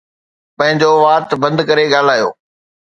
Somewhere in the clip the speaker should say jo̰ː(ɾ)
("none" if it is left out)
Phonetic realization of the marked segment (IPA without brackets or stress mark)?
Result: none